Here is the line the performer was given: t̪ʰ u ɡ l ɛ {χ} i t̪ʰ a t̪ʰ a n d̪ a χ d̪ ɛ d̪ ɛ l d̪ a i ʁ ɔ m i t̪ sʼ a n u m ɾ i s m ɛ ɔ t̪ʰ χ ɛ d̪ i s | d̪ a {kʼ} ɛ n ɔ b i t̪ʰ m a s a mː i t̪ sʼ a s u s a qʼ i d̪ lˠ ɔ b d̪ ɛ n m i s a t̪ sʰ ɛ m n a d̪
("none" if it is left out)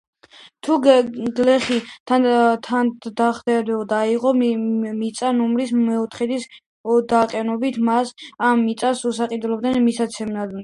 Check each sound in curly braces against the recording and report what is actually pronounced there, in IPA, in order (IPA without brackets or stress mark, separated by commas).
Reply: χ, qʼ